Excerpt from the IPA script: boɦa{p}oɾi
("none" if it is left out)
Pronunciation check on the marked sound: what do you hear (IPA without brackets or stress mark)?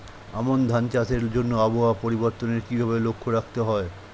p